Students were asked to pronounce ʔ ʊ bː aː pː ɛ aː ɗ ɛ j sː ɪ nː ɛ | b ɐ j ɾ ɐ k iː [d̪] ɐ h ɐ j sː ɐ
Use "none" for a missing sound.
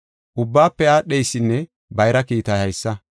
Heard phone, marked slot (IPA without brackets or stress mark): t̪